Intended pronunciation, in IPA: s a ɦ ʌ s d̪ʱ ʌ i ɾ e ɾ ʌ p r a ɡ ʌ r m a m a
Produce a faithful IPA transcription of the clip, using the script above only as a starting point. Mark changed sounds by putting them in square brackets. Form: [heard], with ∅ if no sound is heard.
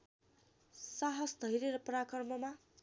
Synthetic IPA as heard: s a ɦ ʌ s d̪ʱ ʌ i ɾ e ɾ ʌ p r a [k] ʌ r m [ʌ] m a